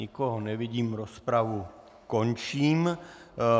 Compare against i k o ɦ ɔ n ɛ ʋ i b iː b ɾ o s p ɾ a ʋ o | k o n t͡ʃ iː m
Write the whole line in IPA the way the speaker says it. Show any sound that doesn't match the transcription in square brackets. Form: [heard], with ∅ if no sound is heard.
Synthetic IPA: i k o ɦ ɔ n ɛ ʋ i [ɟ] iː [m] ɾ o s p ɾ a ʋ [u] | k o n t͡ʃ iː m